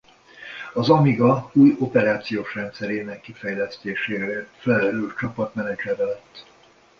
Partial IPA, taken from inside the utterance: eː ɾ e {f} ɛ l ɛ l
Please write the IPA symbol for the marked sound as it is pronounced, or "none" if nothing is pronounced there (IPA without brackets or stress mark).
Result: f